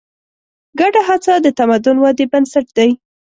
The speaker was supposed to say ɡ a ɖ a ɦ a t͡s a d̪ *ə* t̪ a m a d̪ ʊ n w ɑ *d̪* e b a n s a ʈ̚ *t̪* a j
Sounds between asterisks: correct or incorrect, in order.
correct, correct, incorrect

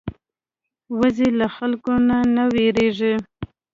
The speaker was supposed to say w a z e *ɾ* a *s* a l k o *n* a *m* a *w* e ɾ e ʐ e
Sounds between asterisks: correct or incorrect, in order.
incorrect, incorrect, correct, incorrect, correct

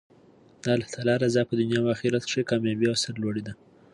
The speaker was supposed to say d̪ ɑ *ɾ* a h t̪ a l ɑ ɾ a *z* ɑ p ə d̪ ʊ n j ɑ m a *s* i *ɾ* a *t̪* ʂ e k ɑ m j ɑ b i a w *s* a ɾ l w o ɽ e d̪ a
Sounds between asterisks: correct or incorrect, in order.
incorrect, correct, incorrect, correct, correct, correct

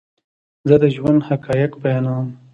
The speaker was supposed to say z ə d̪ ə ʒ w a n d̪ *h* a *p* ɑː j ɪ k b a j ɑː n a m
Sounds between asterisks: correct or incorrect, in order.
correct, incorrect

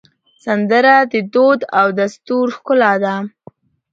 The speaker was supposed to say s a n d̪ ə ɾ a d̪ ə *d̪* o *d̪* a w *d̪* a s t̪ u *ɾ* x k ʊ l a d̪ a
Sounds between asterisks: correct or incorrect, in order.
correct, correct, correct, correct

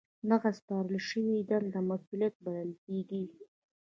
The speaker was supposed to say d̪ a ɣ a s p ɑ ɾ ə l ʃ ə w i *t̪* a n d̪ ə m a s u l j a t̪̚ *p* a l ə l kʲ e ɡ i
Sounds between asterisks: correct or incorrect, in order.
incorrect, incorrect

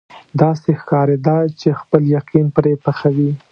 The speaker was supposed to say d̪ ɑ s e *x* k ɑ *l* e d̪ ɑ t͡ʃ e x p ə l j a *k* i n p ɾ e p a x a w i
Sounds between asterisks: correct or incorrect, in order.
correct, incorrect, incorrect

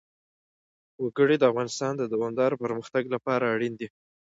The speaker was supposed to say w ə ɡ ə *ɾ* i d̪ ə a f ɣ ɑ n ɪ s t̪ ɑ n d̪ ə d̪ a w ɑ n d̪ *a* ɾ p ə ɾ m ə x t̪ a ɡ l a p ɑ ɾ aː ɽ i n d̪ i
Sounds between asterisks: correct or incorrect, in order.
incorrect, incorrect

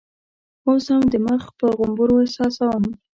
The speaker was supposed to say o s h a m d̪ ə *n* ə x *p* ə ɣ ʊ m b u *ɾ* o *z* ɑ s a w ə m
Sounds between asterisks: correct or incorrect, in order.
incorrect, correct, correct, incorrect

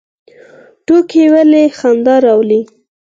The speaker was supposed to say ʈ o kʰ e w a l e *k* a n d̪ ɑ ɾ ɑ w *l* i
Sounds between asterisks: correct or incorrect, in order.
incorrect, correct

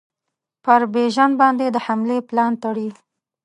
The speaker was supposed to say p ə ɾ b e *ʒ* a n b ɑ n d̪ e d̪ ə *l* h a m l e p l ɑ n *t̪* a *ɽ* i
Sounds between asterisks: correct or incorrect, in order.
correct, incorrect, correct, correct

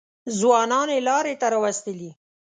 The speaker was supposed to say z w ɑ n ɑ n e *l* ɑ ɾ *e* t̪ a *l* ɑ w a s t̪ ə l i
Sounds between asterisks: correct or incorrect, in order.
correct, correct, incorrect

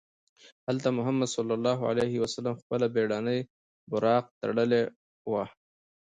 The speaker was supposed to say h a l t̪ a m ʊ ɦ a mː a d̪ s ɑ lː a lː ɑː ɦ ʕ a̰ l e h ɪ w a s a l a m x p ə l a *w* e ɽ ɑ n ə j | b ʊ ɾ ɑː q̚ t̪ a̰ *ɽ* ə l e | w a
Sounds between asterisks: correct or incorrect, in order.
incorrect, correct

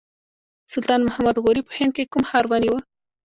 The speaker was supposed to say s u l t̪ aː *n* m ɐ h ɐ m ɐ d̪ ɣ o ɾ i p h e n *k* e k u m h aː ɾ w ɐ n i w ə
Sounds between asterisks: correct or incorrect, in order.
correct, correct

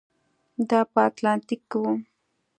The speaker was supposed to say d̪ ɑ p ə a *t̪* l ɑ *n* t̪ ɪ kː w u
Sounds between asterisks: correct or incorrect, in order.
correct, correct

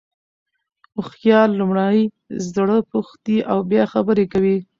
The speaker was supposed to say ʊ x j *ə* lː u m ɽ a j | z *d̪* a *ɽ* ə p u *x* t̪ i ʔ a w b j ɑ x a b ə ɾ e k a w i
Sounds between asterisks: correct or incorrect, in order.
incorrect, correct, correct, correct

